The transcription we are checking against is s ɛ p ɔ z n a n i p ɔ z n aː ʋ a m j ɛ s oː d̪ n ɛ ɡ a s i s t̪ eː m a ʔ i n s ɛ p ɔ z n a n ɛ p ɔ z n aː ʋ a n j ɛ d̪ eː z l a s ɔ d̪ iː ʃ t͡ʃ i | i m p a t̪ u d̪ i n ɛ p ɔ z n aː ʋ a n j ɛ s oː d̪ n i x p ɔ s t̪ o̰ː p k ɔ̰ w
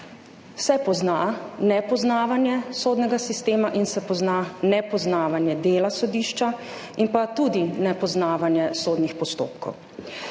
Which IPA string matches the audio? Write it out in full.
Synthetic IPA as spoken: s ɛ p ɔ z n a n ɛ p ɔ z n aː ʋ a n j ɛ s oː d̪ n ɛ ɡ a s i s t̪ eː m a ʔ i n s ɛ p ɔ z n a n ɛ p ɔ z n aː ʋ a n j ɛ d̪ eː l a s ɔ d̪ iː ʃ t͡ʃ a | i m p a t̪ u d̪ i n ɛ p ɔ z n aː ʋ a n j ɛ s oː d̪ n i x p ɔ s t̪ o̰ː p k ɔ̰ w